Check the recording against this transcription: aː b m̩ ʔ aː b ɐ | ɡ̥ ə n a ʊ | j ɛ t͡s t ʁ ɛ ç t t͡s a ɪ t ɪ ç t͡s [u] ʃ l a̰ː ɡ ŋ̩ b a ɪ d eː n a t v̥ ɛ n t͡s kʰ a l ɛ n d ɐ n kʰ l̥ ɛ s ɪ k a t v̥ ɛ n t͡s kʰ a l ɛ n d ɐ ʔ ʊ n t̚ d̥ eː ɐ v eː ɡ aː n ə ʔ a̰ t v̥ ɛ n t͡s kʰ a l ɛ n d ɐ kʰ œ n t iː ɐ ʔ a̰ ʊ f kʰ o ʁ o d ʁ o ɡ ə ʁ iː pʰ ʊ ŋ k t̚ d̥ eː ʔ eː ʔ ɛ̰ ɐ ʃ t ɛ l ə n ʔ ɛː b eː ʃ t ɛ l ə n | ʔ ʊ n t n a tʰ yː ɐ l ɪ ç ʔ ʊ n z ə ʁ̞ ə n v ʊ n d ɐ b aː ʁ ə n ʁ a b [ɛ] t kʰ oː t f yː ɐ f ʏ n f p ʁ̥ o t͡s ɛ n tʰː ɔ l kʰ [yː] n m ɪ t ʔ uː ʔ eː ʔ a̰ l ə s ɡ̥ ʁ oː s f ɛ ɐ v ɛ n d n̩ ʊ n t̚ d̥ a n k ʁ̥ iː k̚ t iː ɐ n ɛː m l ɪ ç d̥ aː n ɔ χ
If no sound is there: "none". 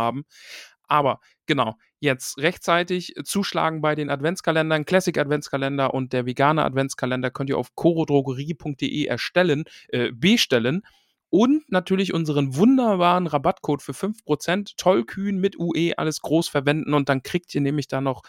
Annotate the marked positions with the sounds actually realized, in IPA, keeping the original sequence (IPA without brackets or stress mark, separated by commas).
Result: uː, a, yː